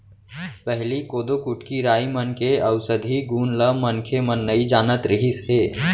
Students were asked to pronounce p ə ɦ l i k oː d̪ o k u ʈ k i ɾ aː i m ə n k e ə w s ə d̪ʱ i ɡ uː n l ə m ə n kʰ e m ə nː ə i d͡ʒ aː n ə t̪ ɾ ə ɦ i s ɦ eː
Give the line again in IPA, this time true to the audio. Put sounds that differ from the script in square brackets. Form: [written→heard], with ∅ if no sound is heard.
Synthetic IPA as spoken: p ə ɦ l i k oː d̪ o k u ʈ k i ɾ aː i m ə n k e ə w s ə d̪ʱ i ɡ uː n l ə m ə n kʰ e m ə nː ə i d͡ʒ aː n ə t̪ ɾ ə ɦ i s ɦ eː